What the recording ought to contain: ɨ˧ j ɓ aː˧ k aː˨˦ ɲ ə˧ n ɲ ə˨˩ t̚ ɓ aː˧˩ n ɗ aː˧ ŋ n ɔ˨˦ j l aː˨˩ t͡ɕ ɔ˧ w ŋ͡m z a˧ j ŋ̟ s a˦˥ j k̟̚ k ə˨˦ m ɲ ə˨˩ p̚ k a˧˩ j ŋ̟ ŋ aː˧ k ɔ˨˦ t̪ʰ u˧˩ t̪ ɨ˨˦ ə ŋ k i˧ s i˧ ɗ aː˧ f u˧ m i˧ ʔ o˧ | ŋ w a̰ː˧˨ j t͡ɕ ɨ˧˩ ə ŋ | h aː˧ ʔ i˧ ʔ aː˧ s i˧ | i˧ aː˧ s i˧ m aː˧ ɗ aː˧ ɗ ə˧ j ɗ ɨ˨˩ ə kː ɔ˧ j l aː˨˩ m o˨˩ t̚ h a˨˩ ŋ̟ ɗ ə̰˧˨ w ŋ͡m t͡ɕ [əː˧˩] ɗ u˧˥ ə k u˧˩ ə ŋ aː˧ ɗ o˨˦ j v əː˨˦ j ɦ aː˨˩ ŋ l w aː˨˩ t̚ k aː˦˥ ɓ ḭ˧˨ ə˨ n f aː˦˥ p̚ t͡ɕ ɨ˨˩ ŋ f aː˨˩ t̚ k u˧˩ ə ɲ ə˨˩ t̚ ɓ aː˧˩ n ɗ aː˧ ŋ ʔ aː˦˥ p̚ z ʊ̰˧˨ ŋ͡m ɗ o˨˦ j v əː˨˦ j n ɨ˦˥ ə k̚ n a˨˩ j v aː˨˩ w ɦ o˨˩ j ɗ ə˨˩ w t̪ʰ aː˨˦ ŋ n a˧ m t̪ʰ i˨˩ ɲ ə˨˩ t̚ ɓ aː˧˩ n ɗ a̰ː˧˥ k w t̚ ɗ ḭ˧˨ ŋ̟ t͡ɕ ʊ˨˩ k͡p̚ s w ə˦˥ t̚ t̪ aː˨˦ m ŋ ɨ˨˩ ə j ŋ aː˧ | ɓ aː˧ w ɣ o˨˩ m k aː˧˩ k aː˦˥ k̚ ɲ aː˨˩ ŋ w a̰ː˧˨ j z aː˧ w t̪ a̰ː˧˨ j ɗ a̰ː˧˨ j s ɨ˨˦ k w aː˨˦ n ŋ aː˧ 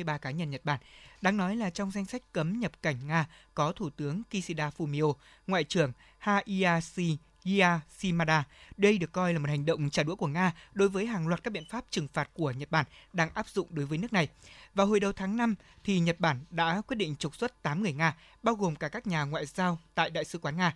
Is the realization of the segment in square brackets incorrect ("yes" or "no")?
yes